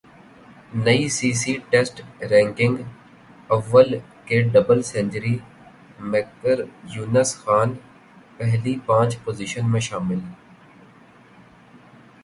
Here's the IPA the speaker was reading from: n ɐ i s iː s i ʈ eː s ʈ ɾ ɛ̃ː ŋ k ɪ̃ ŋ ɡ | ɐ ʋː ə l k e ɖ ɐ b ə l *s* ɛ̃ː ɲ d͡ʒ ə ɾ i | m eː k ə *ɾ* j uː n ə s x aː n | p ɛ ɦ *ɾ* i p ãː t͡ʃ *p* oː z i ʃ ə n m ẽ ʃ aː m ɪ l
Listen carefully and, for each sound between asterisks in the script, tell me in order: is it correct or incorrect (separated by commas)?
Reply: correct, correct, incorrect, correct